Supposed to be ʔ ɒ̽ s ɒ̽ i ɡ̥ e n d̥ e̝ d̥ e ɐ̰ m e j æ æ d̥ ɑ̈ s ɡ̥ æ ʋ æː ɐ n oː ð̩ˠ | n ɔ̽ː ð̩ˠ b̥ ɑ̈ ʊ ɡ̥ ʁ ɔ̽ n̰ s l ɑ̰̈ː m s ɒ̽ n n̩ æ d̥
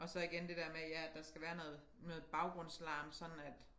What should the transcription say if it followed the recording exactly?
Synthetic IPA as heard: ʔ ɒ̽ s ɒ̽ i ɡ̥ e n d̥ e̝ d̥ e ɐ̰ m e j æ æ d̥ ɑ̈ s ɡ̥ æ ʋ æː ɐ n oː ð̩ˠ | n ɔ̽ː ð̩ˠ b̥ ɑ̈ ʊ ɡ̥ ʁ ɔ̽ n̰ s l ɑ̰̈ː m s ɒ̽ n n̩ æ d̥